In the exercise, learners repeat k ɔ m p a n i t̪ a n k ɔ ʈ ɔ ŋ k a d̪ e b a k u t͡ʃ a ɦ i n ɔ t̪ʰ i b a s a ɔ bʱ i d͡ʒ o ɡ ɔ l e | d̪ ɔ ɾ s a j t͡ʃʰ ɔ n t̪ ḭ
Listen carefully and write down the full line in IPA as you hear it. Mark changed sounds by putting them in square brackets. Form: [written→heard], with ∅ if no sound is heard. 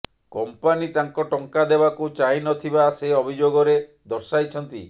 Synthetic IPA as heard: k ɔ m p a n i t̪ a [n→ŋ] k ɔ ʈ ɔ ŋ k a d̪ e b a k u t͡ʃ a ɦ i n ɔ t̪ʰ i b a s [a→e] ɔ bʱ i d͡ʒ o ɡ ɔ [l→ɾ] e | d̪ ɔ ɾ s a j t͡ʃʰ ɔ n t̪ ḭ